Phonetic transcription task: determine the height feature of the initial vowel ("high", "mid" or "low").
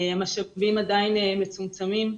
low